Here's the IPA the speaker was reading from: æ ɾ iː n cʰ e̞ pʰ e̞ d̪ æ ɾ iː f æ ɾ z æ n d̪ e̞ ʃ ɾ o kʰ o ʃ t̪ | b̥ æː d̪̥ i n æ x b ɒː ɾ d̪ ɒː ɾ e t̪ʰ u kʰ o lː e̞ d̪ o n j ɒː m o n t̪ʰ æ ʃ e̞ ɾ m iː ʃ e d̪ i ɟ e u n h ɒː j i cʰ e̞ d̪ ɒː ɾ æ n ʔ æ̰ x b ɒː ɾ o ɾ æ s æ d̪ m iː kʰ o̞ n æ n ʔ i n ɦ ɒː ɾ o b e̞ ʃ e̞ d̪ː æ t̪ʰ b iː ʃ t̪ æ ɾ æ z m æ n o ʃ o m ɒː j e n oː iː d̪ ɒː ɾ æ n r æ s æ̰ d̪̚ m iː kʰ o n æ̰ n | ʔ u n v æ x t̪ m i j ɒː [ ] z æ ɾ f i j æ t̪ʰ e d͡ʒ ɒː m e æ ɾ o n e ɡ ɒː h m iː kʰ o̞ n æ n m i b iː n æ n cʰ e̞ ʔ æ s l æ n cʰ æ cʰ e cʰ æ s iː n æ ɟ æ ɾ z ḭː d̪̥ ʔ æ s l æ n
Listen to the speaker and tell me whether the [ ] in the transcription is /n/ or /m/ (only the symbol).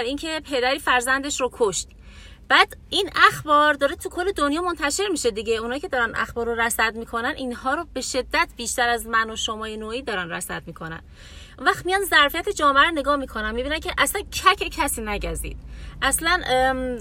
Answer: n